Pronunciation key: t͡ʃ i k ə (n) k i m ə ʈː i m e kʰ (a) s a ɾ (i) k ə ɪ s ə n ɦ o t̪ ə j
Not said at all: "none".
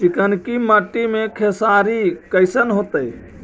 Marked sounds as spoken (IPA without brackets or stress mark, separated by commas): n, e, i